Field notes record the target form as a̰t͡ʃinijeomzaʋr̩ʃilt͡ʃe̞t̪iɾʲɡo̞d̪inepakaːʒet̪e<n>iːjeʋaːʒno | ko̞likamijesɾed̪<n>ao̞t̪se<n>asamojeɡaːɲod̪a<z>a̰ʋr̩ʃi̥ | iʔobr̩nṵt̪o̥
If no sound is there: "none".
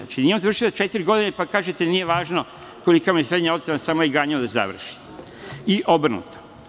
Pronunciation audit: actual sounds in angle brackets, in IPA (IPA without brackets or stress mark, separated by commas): n, ɲ, n, z